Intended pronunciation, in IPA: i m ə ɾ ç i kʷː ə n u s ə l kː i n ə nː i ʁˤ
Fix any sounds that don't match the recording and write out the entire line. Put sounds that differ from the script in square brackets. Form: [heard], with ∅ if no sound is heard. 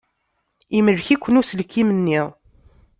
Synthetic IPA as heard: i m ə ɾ ç i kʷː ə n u s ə l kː i [m] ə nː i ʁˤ